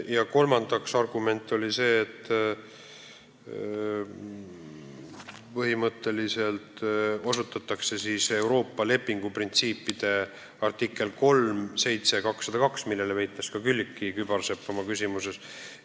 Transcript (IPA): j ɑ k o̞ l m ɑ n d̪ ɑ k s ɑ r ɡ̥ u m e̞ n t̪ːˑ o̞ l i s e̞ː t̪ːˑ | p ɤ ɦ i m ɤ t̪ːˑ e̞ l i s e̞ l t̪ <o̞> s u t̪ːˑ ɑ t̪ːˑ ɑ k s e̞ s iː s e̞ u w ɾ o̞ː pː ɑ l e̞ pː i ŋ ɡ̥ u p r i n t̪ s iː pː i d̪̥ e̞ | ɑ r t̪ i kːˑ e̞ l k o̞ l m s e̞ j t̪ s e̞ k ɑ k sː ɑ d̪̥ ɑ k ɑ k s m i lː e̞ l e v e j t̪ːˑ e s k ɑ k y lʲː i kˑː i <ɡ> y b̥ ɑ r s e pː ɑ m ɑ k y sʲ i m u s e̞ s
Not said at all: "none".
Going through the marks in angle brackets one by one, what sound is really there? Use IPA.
o̞, k

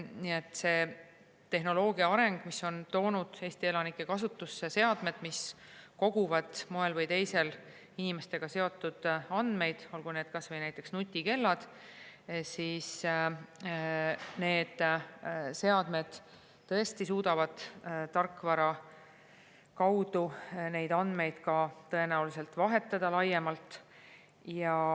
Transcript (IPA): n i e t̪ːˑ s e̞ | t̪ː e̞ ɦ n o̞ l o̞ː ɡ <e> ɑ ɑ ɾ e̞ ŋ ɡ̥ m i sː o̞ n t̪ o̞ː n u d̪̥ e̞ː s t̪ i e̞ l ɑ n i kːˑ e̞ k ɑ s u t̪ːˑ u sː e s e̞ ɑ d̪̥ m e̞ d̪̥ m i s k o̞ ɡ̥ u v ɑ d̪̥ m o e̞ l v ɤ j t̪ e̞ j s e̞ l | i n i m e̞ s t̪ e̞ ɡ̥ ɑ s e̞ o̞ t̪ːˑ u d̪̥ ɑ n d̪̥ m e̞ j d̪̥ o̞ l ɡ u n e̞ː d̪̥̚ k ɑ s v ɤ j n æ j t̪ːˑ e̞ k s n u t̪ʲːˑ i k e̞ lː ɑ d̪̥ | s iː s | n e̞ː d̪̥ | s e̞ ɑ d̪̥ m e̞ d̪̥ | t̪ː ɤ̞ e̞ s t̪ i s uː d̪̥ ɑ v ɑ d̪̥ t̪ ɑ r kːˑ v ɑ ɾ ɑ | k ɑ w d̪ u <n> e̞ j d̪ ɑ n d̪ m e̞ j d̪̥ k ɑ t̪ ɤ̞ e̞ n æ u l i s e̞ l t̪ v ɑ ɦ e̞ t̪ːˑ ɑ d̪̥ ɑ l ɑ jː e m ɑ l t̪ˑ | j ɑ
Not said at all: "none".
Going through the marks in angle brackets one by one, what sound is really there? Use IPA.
i, n

